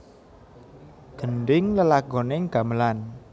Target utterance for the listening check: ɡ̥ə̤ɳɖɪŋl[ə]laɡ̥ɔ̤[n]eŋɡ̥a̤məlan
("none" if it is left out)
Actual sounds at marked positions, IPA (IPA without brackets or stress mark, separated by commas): ə, n